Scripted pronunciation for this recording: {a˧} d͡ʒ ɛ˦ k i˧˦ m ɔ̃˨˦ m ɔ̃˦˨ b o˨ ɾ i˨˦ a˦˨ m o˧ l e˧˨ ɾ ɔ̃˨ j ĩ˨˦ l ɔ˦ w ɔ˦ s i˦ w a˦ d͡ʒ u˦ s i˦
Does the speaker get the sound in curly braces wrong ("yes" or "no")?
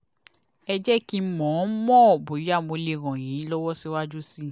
yes